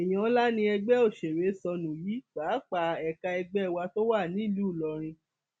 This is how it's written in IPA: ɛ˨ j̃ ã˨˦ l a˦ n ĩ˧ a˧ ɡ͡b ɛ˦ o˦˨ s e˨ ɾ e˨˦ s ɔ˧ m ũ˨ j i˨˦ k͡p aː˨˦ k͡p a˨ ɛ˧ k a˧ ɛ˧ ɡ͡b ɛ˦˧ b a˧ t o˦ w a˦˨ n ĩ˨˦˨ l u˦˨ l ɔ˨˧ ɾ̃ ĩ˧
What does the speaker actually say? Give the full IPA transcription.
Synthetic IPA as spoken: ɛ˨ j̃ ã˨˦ l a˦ n ĩ˧ ɛ˧ ɡ͡b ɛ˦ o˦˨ ʃ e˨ ɾ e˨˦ s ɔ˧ n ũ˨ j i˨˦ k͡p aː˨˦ k͡p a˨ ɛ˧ k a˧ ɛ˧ ɡ͡b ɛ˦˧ w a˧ t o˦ w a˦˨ n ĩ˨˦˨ l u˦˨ l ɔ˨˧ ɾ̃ ĩ˧